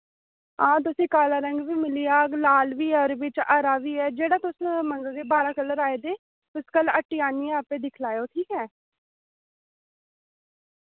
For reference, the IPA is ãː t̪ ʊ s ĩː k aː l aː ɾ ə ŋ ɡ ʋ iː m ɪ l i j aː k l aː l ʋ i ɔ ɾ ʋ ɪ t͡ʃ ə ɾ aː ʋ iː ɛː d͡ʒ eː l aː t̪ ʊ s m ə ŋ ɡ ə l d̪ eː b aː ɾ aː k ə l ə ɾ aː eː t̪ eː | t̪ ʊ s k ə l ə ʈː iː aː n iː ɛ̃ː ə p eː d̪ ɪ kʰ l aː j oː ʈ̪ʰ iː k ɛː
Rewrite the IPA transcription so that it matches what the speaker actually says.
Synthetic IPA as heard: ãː t̪ ʊ s ĩː k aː l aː ɾ ə ŋ ɡ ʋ iː m ɪ l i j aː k l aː l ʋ iː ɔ ɾ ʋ ɪ t͡ʃ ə ɾ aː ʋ iː ɛː d͡ʒ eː ɽ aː t̪ ʊ s m ə ŋ ɡ ə l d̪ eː b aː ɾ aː k ə l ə ɾ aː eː d̪ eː | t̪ ʊ s k ə l ə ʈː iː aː n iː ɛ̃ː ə p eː d̪ ɪ kʰ l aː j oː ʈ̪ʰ iː k ɛː